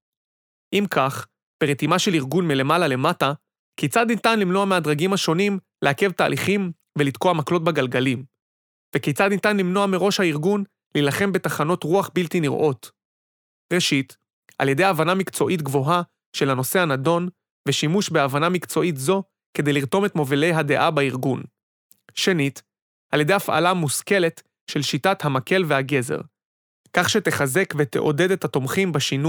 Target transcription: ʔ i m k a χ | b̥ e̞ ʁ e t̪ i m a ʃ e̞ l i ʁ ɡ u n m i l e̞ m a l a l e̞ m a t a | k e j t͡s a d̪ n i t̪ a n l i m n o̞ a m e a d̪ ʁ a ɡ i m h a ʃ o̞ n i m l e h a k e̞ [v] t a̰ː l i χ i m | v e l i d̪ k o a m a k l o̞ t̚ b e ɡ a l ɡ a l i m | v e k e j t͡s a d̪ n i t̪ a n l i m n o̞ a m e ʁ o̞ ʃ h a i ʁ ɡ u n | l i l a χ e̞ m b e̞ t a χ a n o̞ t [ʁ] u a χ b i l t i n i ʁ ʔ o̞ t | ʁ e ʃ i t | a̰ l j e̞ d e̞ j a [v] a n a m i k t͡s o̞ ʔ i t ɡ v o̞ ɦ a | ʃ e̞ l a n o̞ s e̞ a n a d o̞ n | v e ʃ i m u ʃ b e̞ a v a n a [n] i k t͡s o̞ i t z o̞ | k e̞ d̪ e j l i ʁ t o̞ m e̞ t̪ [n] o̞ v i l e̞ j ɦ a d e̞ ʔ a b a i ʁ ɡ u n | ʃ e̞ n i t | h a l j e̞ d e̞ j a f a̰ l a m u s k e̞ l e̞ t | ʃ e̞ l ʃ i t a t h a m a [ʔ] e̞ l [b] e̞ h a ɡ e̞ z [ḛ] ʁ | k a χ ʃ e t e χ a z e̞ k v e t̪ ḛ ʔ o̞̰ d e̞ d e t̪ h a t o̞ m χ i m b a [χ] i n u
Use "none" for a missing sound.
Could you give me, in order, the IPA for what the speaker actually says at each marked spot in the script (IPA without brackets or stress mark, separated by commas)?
v, ʁ, v, m, m, k, v, ḛ, ʃ